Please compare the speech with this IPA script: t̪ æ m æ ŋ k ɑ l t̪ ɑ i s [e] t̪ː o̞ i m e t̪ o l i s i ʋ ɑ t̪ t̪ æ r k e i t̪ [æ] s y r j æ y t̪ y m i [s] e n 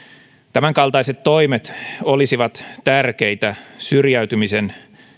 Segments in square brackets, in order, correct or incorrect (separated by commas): correct, correct, correct